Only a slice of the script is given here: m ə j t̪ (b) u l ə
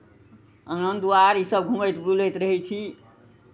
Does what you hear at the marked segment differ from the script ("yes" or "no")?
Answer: no